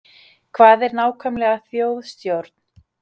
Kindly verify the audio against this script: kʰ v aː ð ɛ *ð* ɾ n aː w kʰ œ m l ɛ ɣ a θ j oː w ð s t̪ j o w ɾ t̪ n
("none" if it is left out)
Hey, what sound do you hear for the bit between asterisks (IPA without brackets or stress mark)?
none